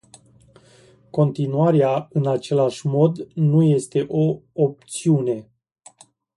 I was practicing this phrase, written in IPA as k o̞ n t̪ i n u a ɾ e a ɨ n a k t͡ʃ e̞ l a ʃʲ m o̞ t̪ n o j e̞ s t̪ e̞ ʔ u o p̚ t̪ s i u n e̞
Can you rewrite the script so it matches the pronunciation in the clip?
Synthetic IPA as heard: k o̞ n t̪ i n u a ɾ e a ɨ n a t͡ʃ e̞ l a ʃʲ m o̞ d̪ n u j e̞ s t̪ e̞ ʔ o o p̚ t̪ s i u n e̞